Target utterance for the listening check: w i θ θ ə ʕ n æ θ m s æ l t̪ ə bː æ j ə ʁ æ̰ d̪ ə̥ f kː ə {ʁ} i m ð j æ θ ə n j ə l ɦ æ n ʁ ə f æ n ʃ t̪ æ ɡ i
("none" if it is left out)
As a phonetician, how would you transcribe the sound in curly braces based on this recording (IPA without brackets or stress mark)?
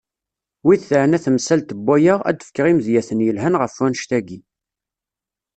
ʁ